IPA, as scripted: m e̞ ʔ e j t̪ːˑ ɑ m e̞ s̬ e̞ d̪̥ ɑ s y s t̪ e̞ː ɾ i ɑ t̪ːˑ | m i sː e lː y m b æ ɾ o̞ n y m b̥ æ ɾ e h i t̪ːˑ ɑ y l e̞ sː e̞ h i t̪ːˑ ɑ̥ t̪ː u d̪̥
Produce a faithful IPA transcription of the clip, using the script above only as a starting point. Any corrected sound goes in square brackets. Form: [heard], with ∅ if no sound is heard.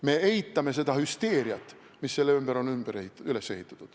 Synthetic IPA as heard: m e̞ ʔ e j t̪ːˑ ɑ m e̞ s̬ e̞ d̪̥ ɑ [h] y s t̪ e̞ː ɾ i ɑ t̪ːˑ | m i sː e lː y m b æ ɾ o̞ n y m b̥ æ ɾ e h i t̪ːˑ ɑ y l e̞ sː e̞ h i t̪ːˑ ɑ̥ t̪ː u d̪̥